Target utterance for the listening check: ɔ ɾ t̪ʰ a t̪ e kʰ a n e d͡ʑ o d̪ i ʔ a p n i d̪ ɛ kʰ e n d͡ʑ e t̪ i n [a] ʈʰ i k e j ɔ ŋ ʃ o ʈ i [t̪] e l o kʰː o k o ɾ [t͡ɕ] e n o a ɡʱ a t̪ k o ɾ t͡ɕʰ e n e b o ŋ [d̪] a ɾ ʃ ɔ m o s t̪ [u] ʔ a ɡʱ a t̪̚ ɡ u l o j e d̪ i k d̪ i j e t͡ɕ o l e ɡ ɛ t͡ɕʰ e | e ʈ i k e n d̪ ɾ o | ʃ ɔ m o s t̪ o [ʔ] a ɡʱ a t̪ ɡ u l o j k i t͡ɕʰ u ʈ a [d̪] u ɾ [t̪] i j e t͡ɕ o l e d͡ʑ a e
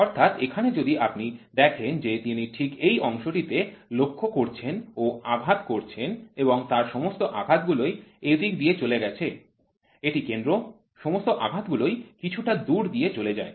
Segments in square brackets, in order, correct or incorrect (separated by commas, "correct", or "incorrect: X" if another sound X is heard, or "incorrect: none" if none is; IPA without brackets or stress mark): incorrect: i, correct, incorrect: t͡ɕʰ, incorrect: t̪, incorrect: o, correct, correct, incorrect: d̪